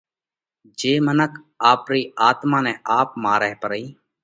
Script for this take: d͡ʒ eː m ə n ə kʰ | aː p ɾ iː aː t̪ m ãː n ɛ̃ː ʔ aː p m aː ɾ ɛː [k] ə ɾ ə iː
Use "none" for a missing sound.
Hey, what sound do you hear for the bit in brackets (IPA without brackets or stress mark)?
p